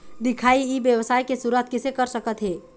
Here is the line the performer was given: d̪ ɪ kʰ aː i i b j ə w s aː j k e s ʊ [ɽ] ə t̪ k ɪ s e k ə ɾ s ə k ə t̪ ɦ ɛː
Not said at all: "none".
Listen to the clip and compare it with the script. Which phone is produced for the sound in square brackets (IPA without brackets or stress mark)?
ɾ